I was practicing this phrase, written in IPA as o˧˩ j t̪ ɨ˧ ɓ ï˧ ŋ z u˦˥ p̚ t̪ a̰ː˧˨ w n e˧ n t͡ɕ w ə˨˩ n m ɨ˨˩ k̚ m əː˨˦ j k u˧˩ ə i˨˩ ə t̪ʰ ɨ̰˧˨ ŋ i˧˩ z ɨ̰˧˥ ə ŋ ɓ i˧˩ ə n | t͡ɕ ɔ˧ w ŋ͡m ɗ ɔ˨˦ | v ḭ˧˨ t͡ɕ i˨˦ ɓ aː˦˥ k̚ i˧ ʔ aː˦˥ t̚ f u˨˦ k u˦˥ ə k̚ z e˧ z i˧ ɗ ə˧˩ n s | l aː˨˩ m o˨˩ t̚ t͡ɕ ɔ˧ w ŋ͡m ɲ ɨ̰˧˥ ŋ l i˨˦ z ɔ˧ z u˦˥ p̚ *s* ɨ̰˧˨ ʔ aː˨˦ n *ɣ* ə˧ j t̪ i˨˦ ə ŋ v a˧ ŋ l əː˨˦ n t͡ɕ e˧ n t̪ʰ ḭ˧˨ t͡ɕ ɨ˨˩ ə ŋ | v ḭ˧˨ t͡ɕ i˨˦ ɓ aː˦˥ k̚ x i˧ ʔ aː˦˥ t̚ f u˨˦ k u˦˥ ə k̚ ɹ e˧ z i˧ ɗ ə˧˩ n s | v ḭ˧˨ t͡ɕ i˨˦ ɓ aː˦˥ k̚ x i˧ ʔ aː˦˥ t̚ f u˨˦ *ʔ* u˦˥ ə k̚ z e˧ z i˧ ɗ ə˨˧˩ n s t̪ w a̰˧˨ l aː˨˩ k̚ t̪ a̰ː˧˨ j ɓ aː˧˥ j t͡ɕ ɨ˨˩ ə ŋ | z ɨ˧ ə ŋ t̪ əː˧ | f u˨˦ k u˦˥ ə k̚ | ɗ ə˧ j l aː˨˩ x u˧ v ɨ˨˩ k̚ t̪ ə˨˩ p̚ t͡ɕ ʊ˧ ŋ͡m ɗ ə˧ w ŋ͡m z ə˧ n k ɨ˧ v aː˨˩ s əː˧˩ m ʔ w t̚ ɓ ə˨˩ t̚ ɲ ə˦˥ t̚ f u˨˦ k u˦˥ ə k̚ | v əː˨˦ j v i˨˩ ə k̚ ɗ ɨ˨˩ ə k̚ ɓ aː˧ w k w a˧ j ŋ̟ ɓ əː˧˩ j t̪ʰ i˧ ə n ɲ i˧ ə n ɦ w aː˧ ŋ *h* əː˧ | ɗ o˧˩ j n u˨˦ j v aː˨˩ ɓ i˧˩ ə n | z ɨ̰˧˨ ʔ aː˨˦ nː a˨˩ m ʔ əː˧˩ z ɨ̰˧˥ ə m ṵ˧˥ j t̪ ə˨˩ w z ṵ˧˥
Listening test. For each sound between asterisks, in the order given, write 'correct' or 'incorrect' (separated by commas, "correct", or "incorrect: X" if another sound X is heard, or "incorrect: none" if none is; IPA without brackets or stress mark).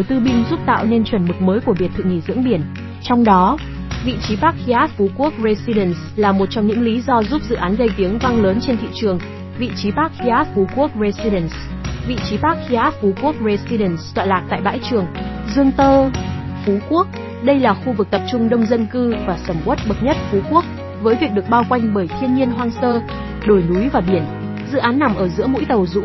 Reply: incorrect: z, correct, incorrect: k, incorrect: s